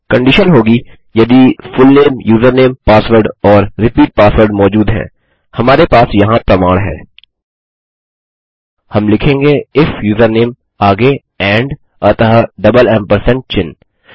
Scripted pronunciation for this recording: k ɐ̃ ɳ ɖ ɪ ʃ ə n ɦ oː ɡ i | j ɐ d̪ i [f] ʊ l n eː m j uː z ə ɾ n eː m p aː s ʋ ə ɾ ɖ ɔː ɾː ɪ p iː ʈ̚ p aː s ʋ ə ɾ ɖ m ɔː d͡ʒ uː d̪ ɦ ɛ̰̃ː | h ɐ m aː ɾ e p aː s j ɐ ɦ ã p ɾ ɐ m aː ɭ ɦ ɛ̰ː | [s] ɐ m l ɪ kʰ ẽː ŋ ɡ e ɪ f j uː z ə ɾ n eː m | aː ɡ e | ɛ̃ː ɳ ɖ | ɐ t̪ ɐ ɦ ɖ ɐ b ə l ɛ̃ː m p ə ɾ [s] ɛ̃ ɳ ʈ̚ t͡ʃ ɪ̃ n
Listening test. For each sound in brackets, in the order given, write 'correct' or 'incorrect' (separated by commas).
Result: correct, incorrect, correct